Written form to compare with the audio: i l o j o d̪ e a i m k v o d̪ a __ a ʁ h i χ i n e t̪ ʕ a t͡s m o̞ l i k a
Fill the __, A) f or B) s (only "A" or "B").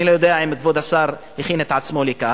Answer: B